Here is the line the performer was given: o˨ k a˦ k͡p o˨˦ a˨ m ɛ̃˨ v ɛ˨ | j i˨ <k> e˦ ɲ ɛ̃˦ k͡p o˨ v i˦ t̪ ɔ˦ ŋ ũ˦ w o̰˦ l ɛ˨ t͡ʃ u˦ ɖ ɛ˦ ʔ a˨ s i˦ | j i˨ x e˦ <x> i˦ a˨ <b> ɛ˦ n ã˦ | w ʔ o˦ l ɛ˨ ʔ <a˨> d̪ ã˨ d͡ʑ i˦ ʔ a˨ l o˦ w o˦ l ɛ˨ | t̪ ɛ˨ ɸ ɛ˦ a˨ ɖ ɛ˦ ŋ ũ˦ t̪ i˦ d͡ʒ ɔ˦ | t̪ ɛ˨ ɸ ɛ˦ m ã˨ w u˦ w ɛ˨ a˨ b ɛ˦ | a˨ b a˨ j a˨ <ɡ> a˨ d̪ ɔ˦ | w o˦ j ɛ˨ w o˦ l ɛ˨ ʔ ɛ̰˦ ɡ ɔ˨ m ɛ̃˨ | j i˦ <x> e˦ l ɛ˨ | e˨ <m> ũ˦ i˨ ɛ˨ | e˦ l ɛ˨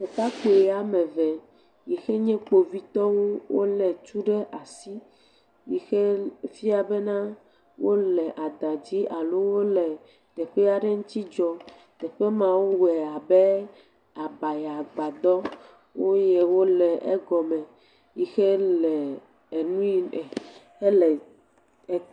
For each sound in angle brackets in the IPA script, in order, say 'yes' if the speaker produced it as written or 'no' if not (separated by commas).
no, no, yes, yes, no, yes, no